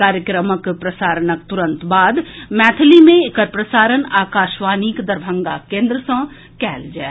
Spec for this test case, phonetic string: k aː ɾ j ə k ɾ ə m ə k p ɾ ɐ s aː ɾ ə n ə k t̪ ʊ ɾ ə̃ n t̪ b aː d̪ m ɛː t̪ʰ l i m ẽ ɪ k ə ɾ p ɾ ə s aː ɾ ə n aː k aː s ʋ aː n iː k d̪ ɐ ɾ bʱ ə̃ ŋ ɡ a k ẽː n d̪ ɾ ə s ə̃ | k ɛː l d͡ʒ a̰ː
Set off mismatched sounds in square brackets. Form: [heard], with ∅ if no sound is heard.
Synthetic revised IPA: k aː ɾ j ə k ɾ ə m ə k p ɾ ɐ s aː ɾ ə n ə k t̪ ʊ ɾ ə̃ n t̪ b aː d̪ m ɛː t̪ʰ l i m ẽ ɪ k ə ɾ p ɾ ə s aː ɾ ə n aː k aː [ʃ] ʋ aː n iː k d̪ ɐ ɾ bʱ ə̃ ŋ ɡ a k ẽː n d̪ ɾ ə s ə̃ | k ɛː l d͡ʒ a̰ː